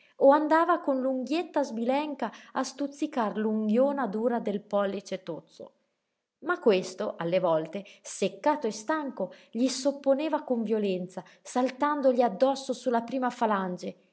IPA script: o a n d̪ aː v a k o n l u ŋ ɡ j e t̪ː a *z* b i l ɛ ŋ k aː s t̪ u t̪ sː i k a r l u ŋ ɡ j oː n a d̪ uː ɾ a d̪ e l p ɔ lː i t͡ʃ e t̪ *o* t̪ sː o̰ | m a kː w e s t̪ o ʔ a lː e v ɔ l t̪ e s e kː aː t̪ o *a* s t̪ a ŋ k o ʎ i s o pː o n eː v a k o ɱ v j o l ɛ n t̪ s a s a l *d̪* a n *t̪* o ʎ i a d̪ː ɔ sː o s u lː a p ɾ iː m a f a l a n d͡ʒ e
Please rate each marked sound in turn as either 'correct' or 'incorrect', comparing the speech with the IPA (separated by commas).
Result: correct, correct, incorrect, incorrect, incorrect